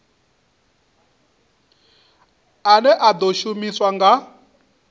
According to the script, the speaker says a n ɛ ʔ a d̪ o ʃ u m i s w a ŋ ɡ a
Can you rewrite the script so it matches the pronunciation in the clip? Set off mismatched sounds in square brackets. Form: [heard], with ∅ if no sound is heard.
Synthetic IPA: a n ɛ ʔ a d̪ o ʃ u m i s w a ŋ ɡ a